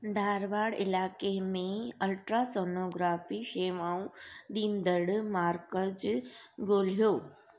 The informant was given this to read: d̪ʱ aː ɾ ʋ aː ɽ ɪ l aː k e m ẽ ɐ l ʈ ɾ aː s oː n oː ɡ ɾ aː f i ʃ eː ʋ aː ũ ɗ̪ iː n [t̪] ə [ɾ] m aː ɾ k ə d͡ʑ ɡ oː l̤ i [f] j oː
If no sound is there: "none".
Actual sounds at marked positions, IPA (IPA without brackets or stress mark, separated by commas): d̪, ɽ, none